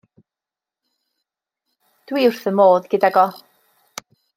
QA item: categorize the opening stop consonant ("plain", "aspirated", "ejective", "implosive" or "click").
plain